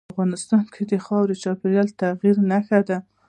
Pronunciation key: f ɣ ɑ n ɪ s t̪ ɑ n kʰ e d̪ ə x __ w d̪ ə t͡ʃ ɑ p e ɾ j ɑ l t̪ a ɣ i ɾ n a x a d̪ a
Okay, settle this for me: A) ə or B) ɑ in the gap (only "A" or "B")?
B